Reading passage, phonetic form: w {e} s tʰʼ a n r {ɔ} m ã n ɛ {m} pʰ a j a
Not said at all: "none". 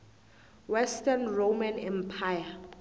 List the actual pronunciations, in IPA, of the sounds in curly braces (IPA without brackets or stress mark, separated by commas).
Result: ɛ, o, m